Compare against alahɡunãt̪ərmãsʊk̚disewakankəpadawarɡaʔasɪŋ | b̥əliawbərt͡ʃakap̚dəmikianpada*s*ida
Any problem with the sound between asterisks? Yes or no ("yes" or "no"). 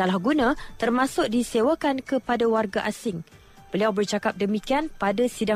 no